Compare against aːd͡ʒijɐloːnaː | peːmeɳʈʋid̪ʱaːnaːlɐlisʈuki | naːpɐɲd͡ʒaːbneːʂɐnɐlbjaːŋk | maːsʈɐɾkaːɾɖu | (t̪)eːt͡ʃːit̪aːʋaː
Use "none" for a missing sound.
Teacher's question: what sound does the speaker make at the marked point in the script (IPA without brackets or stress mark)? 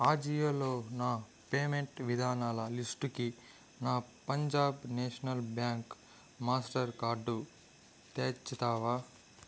t̪